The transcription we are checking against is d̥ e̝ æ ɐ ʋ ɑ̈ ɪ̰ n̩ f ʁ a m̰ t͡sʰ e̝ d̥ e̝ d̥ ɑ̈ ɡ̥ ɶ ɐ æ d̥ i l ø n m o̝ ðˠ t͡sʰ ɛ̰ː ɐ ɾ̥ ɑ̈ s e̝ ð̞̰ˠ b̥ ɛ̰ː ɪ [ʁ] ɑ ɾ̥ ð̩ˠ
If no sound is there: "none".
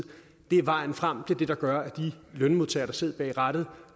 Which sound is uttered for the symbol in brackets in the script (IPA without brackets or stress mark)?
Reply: ʁ